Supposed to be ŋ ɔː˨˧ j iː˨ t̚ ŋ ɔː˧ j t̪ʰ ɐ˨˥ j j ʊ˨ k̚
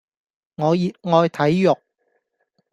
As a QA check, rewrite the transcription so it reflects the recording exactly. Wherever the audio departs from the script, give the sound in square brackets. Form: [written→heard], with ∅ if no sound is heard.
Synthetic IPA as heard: ŋ ɔː˨˧ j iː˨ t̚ ŋ ɔː˧ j t̪ʰ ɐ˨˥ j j ʊ˨ k̚